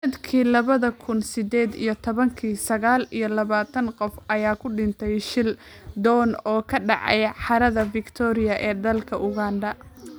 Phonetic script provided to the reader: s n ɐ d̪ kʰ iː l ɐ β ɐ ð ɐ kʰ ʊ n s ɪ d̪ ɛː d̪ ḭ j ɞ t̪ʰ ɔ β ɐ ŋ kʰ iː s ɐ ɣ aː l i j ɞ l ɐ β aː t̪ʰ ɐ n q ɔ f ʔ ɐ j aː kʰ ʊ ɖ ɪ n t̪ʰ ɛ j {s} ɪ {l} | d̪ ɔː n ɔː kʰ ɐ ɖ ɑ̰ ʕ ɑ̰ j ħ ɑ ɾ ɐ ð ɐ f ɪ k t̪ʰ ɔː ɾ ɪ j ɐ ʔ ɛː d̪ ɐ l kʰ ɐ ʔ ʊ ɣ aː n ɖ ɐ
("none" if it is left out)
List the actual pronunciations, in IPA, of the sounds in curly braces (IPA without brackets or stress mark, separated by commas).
ʃ, l